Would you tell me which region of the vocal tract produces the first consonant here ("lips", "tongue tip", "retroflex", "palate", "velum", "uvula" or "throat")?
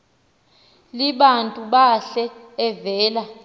tongue tip